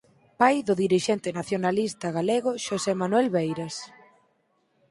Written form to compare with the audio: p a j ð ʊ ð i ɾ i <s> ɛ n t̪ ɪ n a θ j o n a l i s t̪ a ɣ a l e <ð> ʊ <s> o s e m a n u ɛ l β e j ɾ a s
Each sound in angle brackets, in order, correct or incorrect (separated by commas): incorrect, incorrect, incorrect